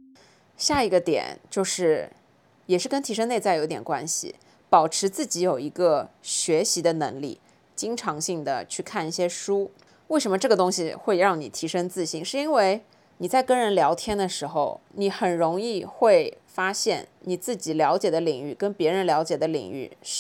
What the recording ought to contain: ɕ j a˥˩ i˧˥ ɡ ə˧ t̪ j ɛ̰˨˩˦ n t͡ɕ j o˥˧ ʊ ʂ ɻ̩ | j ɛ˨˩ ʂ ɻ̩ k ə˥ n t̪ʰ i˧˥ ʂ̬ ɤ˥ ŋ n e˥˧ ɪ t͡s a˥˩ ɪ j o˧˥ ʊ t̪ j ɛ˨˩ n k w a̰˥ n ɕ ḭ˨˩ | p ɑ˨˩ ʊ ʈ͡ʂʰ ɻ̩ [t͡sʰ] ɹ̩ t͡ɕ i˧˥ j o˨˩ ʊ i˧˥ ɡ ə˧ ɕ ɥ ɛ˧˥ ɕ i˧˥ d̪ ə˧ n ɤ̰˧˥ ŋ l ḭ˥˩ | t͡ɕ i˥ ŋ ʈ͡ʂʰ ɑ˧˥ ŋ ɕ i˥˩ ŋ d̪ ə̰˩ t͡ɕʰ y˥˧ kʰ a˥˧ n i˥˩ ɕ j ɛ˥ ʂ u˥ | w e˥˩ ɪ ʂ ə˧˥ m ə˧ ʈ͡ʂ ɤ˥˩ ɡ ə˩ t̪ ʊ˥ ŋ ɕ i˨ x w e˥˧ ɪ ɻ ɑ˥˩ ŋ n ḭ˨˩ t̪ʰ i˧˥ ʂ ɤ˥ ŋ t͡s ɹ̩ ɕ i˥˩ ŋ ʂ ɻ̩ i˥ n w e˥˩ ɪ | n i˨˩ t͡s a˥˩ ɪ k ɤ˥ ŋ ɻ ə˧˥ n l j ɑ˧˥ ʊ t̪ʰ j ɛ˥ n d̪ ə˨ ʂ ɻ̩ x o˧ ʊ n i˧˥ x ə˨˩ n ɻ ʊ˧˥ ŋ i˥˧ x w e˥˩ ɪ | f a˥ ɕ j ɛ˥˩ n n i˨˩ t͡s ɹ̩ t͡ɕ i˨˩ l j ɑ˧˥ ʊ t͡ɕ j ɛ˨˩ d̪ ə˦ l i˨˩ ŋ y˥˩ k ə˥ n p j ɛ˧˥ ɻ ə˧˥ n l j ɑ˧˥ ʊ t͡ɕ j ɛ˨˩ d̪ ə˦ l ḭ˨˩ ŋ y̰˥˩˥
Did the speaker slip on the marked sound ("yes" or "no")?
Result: yes